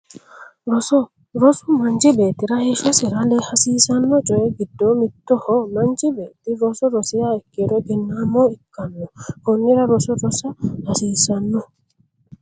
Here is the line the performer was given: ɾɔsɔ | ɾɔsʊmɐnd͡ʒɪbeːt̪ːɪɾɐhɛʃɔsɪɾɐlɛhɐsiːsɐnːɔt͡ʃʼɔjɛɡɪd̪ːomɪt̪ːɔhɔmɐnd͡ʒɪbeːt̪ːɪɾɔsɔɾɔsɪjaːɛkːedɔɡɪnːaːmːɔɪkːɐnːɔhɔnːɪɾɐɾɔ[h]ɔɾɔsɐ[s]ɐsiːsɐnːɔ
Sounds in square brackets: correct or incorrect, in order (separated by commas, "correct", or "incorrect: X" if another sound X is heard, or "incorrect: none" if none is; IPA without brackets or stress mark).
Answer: incorrect: s, incorrect: h